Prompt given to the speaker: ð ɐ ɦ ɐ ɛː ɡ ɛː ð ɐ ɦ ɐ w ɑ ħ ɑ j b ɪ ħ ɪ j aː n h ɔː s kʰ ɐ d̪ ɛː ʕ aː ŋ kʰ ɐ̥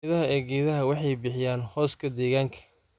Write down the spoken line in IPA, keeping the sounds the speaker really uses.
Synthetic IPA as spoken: ð ɐ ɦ ɐ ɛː ɡ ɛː ð ɐ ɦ ɐ w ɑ ħ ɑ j b ɪ ħ ɪ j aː n h ɔː s kʰ ɐ d̪ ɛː ɣ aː ŋ kʰ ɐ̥